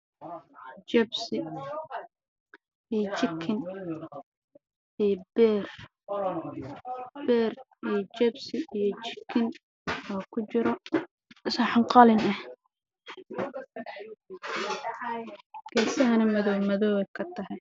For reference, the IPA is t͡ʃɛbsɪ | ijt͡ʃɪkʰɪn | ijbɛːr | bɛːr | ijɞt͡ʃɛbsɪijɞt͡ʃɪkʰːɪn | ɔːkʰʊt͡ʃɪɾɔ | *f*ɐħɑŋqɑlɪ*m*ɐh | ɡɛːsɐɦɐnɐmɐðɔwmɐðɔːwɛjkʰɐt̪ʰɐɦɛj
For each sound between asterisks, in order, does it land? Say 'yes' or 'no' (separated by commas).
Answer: no, no